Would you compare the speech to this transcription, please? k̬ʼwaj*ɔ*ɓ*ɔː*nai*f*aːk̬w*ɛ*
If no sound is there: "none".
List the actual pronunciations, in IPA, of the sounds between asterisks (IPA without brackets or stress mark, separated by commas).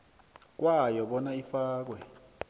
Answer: ɔ, ɔ, f, ɛ